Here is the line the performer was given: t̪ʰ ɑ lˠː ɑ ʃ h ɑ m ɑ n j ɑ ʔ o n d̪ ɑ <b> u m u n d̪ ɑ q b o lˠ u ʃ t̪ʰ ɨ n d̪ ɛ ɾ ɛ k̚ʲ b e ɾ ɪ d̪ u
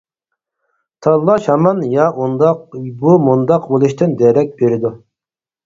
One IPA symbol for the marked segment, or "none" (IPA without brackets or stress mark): b